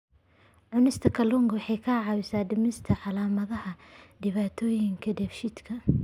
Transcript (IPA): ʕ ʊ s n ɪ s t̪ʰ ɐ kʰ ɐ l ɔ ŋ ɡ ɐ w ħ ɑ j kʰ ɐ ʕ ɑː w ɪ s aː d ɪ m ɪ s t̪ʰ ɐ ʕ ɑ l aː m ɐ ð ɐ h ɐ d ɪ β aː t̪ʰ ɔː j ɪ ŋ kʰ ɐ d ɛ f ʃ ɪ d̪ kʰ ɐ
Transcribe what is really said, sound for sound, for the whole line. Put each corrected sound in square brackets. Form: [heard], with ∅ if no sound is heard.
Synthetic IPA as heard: ʕ ʊ [∅] n ɪ s t̪ʰ ɐ kʰ ɐ l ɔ ŋ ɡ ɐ w ħ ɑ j kʰ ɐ ʕ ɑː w ɪ s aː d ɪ m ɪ s t̪ʰ ɐ ʕ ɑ l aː m ɐ ð ɐ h ɐ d ɪ β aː t̪ʰ ɔː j ɪ ŋ kʰ ɐ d ɛ f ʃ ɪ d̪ kʰ ɐ